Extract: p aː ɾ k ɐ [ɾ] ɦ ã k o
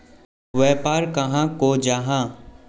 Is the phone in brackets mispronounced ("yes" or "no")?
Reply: yes